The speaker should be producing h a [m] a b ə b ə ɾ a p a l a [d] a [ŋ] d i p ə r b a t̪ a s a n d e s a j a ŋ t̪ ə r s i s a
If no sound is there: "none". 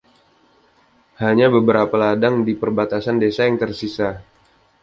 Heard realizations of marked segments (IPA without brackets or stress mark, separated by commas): ɲ, d, ŋ